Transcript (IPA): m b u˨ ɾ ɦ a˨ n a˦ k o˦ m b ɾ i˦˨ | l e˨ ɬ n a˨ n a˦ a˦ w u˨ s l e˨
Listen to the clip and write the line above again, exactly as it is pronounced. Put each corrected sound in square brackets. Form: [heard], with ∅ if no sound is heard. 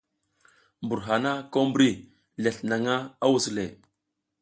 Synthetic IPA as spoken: m b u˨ ɾ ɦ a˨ n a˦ k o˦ m b ɾ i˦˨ | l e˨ ɬ n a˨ [ŋ] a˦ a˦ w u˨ s l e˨